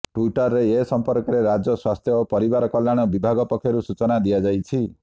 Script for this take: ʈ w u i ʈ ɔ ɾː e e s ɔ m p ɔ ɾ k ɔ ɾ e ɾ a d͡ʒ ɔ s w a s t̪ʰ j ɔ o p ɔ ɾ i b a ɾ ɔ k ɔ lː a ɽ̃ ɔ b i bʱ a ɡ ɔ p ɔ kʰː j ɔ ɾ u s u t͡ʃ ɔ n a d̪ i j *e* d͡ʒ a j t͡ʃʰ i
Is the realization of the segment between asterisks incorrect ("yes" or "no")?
yes